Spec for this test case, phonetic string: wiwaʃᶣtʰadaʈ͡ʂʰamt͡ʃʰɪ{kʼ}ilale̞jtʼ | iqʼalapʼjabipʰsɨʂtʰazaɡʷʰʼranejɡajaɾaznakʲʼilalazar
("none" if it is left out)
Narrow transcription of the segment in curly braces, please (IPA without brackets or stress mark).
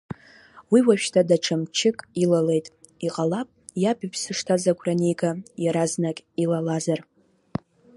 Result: kʼ